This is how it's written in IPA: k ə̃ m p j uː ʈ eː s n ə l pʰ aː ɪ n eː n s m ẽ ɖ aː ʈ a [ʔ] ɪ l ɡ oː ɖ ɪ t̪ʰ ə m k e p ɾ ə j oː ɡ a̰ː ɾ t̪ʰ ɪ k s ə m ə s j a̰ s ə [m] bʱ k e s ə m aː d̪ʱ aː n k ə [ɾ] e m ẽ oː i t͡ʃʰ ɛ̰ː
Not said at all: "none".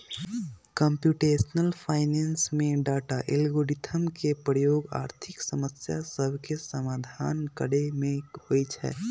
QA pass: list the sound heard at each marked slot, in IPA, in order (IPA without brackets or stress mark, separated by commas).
ʔ, none, ɽ